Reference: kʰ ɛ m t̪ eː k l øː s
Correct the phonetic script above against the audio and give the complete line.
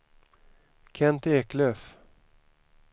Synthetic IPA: kʰ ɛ n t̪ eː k l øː f